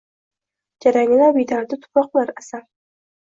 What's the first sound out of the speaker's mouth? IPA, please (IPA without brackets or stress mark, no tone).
d͡ʒ